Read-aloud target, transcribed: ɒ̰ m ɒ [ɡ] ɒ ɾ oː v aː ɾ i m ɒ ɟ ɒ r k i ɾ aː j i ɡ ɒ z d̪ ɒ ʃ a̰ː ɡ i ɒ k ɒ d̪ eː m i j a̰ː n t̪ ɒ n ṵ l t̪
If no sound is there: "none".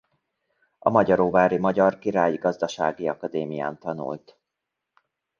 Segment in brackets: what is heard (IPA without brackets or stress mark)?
ɟ